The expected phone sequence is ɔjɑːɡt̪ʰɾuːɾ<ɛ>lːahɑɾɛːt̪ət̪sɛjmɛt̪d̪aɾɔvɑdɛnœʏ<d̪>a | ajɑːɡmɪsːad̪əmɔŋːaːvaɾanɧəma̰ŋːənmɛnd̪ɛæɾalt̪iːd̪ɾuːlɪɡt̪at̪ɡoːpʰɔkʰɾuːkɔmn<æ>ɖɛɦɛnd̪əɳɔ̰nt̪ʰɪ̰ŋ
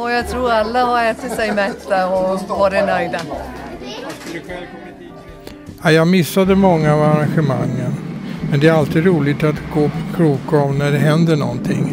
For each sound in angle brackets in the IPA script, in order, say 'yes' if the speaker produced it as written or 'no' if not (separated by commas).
no, yes, yes